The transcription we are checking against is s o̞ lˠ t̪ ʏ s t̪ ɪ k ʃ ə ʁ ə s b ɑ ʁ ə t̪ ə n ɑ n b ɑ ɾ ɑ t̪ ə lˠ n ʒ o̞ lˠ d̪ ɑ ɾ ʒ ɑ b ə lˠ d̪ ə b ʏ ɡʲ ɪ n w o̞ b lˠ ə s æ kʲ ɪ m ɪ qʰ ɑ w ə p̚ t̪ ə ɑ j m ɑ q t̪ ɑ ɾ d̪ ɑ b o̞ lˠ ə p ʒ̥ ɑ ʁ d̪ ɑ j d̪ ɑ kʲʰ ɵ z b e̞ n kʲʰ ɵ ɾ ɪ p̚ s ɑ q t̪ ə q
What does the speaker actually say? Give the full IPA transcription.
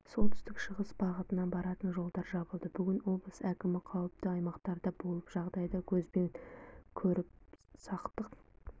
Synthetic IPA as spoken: s o̞ lˠ t̪ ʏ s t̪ ɪ k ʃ ə ʁ ə s b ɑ ʁ ə t̪ ə n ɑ n b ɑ ɾ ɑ t̪ ə n ʒ o̞ lˠ d̪ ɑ ɾ ʒ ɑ b ə lˠ d̪ ə b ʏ ɡʲ ɪ n w o̞ b lˠ ə s æ kʲ ɪ m ɪ qʰ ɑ w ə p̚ t̪ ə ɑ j m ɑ q t̪ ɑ ɾ d̪ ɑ b o̞ lˠ ə p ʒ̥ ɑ ʁ d̪ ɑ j d̪ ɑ kʲʰ ɵ z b e̞ n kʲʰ ɵ ɾ ɪ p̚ s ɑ q t̪ ə q